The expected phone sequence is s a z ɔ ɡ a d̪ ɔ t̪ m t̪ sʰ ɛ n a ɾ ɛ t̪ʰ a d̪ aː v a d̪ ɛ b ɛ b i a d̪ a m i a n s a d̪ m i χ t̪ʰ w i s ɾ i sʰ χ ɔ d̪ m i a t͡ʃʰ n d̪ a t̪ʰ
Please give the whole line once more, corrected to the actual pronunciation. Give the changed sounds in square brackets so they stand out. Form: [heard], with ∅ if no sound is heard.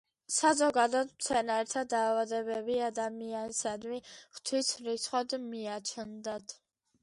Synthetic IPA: s a z ɔ ɡ a d̪ ɔ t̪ m t̪ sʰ ɛ n a ɾ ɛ t̪ʰ a d̪ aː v a d̪ ɛ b ɛ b i a d̪ a m i a n s a d̪ m i χ t̪ʰ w i s ɾ i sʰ χ ɔ d̪ m i a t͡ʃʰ n d̪ a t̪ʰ